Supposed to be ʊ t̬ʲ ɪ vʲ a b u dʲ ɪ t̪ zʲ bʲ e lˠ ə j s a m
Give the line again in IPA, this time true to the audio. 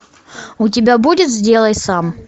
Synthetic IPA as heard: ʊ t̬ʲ ɪ bʲ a b u dʲ ɪ t̪ zʲ dʲ e lˠ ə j s a m